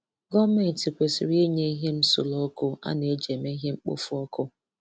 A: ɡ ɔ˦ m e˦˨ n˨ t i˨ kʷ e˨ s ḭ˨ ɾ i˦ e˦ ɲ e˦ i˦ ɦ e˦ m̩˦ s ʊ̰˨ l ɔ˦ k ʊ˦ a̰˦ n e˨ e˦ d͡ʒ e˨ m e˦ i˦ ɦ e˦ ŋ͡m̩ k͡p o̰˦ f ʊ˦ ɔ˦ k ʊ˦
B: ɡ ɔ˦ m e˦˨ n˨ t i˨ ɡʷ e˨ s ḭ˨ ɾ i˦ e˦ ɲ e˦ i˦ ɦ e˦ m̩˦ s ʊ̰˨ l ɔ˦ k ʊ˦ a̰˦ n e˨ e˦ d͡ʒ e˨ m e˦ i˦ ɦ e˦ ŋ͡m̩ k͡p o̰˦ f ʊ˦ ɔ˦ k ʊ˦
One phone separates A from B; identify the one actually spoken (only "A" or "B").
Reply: A